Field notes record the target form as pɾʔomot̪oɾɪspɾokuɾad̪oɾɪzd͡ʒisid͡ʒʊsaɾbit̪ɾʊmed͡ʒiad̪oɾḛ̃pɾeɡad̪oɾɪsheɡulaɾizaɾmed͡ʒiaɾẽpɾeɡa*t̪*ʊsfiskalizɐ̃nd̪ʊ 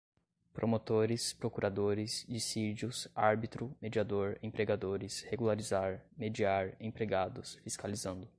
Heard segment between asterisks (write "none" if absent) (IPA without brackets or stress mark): d̪